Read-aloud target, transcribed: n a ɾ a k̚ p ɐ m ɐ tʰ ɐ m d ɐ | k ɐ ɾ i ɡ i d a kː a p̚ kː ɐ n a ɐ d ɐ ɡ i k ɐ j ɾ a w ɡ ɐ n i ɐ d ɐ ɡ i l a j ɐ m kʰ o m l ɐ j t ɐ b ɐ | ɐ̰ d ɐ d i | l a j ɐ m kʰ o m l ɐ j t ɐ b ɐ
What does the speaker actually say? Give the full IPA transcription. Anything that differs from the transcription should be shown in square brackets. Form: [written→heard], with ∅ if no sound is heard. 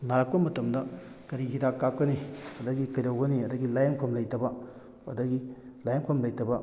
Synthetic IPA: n a ɾ a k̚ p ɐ m ɐ [tʰ→t] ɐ m d ɐ | k ɐ ɾ i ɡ i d a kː a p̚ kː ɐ n [a→i] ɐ d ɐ ɡ i k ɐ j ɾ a w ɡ ɐ n i ɐ d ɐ ɡ i l a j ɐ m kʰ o m l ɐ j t ɐ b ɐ | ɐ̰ d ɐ [d→ɡ] i | l a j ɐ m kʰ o m l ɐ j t ɐ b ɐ